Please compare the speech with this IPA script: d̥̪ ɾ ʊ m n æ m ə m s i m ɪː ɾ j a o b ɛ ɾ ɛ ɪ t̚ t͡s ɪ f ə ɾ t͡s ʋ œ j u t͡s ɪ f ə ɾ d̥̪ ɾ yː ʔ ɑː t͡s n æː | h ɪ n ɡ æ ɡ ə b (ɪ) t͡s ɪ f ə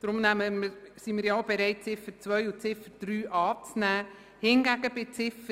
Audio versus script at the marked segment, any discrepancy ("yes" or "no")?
no